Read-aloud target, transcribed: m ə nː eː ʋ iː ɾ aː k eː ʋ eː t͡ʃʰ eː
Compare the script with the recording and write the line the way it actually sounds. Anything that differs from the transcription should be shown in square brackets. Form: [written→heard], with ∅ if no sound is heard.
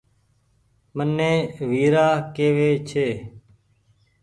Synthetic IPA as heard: m ə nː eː ʋ iː ɾ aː k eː ʋ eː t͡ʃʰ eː